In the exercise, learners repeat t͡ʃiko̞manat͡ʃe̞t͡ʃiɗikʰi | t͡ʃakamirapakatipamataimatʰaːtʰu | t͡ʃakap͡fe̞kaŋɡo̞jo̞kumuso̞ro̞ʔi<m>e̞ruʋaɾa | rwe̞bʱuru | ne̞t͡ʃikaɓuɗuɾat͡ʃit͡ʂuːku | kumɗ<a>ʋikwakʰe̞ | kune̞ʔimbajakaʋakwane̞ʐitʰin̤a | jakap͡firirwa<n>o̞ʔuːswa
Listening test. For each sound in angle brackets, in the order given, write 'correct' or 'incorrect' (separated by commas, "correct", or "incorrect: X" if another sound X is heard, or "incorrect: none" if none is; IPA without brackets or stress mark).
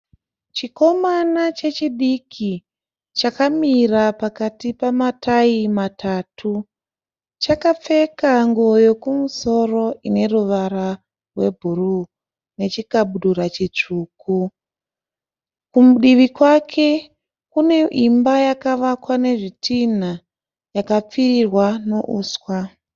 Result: incorrect: n, incorrect: i, correct